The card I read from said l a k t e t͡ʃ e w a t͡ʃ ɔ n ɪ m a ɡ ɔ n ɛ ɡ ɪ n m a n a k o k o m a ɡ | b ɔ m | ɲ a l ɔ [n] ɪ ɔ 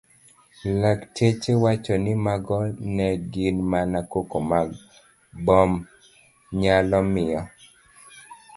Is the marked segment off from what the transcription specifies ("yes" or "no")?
yes